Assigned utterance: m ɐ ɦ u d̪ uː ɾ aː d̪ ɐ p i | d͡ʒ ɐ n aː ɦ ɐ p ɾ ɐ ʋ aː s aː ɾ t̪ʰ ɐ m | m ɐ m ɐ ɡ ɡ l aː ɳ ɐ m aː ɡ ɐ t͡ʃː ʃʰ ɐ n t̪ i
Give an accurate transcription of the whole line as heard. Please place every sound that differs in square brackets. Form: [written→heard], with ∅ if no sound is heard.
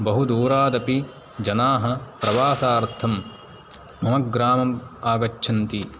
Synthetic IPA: [m→b] ɐ ɦ u d̪ uː ɾ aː d̪ ɐ p i | d͡ʒ ɐ n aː ɦ ɐ p ɾ ɐ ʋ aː s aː ɾ t̪ʰ ɐ m | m ɐ m ɐ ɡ ɡ [l→ɾ] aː [ɳ→m] ɐ m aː ɡ ɐ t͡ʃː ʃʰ ɐ n t̪ i